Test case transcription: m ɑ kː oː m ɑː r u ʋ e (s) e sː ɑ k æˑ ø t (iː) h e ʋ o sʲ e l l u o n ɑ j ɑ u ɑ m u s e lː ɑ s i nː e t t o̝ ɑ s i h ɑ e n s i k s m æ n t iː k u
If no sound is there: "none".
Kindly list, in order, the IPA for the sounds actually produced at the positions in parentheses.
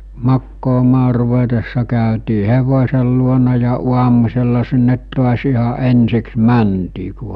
t, iː

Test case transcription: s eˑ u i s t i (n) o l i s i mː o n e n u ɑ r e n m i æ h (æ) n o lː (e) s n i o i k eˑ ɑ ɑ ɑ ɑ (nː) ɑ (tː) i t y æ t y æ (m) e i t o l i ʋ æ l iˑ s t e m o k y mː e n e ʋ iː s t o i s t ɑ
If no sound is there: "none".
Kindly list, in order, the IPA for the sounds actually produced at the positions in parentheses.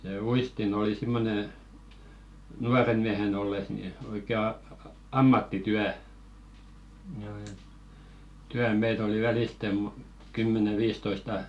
n, e, e, mː, tː, m

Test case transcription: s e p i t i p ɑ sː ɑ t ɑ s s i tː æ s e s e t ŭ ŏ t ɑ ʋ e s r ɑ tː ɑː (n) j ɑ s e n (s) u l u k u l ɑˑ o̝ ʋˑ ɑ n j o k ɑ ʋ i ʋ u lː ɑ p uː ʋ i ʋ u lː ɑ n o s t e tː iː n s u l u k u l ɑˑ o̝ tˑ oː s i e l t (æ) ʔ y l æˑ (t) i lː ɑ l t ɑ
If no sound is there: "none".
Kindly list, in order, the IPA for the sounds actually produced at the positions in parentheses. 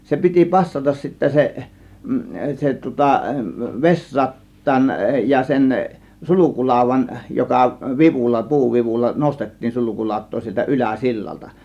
n, s, æ, s

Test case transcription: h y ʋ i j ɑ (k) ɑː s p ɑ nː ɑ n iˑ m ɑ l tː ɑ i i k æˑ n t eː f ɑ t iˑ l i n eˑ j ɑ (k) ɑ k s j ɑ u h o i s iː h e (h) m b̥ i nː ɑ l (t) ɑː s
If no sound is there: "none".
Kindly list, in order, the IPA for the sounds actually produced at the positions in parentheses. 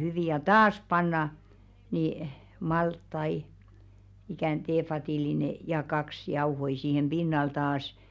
t, k, none, t

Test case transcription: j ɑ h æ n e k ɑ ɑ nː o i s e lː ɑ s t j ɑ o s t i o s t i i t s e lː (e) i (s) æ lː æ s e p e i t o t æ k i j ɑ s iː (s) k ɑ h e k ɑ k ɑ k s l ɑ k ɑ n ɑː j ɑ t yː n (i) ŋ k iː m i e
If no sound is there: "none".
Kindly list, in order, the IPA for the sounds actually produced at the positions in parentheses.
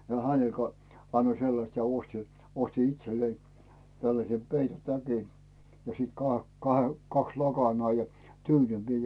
e, t, t, y

